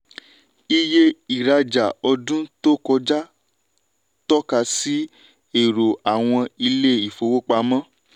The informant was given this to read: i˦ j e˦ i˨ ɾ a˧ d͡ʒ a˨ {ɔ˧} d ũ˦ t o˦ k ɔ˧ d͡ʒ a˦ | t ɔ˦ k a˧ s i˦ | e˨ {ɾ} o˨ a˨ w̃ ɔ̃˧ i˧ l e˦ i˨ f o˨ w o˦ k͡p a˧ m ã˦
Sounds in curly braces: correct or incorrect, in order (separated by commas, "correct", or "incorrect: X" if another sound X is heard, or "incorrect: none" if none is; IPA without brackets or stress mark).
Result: correct, correct